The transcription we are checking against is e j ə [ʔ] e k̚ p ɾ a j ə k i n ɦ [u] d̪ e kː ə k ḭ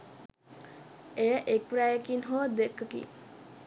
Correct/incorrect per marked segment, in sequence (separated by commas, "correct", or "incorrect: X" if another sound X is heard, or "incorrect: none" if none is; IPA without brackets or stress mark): correct, incorrect: o